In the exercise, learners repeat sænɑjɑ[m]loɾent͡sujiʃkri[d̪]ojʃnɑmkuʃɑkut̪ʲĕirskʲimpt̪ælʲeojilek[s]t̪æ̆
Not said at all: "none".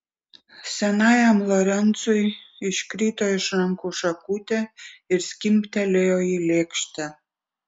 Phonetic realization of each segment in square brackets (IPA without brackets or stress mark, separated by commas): m, t̪, ʃ